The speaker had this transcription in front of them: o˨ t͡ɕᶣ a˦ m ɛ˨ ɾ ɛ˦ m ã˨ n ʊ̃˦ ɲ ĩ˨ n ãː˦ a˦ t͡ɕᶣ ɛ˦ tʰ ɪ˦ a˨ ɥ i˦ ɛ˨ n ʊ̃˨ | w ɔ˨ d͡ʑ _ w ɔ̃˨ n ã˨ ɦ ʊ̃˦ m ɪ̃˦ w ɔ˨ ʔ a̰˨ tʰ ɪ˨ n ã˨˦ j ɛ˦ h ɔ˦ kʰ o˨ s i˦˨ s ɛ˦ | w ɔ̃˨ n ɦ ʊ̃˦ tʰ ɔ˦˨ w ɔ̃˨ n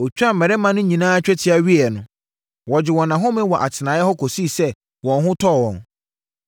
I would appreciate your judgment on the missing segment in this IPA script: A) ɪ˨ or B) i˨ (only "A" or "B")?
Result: A